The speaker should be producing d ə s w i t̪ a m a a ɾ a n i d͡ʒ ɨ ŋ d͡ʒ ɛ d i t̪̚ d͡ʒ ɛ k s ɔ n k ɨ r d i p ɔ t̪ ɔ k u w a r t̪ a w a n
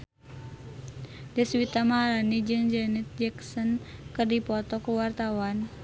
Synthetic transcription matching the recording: d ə s w i t̪ a m a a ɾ a n i d͡ʒ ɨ ŋ d͡ʒ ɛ n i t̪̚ d͡ʒ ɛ k s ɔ n k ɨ r d i p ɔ t̪ ɔ k u w a r t̪ a w a n